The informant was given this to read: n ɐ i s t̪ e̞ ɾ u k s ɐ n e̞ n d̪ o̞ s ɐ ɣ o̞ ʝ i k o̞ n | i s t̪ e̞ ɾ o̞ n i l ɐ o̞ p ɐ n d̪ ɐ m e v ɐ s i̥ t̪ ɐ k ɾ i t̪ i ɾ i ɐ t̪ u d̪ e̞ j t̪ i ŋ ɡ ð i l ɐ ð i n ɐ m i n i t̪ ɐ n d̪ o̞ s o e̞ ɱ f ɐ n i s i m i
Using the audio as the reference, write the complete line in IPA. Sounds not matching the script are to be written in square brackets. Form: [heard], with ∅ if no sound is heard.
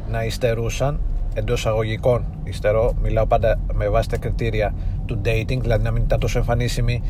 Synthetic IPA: n ɐ i s t̪ e̞ ɾ u [∅] s ɐ n e̞ n d̪ o̞ s ɐ ɣ o̞ ʝ i k o̞ n | i s t̪ e̞ ɾ o̞ [m] i l ɐ o̞ p ɐ n d̪ ɐ m e v ɐ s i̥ t̪ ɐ k ɾ i t̪ i ɾ i ɐ t̪ u d̪ e̞ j t̪ i ŋ ɡ ð i l ɐ ð i n ɐ m i n i t̪ ɐ n [t̪] o̞ s o e̞ ɱ f ɐ n i s i m i